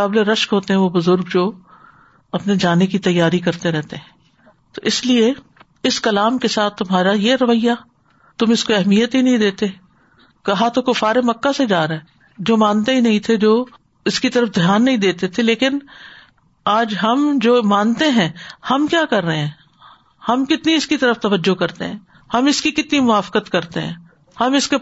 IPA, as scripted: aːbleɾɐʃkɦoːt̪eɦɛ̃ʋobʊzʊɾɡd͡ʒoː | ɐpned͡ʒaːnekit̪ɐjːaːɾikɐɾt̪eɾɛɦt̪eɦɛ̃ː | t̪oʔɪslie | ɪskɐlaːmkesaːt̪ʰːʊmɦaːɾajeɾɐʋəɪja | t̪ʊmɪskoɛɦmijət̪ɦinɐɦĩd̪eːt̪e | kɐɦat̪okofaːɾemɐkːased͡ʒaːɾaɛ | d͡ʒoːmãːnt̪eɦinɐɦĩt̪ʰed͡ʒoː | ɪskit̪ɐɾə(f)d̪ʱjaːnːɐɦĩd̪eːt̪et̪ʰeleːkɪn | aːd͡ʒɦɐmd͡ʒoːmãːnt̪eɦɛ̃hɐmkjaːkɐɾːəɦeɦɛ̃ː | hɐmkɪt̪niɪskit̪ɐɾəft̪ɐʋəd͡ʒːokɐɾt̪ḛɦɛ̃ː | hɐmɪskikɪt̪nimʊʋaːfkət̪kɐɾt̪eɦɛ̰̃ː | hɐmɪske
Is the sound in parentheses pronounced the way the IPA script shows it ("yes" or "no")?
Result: yes